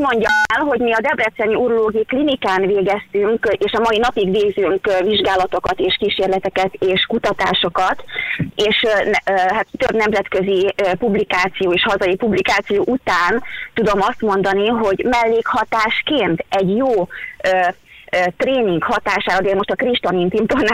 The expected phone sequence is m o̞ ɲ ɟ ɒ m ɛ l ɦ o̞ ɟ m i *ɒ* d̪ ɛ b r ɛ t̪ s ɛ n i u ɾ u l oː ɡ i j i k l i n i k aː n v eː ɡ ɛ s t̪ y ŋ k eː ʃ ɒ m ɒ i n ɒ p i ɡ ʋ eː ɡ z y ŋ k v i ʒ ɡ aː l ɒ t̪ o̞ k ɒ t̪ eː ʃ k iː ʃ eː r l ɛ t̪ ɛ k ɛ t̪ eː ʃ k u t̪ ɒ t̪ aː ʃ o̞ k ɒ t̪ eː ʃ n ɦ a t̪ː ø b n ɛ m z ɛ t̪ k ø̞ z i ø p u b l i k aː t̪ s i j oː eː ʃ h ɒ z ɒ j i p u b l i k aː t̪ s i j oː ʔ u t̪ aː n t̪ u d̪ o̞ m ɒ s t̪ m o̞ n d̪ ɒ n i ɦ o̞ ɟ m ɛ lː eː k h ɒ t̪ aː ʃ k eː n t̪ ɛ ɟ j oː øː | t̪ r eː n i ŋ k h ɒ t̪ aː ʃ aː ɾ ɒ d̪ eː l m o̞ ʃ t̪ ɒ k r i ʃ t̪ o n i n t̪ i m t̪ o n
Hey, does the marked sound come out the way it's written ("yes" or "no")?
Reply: yes